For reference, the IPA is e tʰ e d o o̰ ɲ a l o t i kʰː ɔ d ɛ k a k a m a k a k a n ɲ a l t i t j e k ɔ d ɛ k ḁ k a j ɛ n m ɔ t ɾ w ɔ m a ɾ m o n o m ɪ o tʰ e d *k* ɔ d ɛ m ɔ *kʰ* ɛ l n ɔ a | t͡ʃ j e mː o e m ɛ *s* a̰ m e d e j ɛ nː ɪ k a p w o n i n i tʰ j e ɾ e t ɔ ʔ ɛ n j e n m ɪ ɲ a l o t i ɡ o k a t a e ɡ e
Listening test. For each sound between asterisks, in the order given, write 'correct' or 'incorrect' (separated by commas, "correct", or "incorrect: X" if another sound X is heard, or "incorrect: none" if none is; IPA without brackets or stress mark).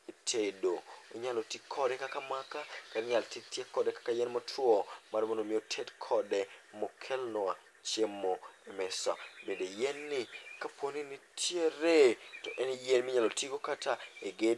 incorrect: kʰ, correct, correct